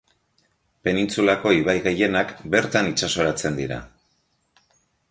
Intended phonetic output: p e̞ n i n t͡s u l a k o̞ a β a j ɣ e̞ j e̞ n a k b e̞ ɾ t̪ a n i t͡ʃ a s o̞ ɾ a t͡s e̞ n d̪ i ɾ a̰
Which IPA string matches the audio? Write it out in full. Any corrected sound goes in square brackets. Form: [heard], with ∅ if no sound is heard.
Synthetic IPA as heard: p e̞ n i n t͡s u l a k o̞ [i] β a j ɣ e̞ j e̞ n a k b e̞ ɾ t̪ a n i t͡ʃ a s o̞ ɾ a t͡s e̞ n d̪ i ɾ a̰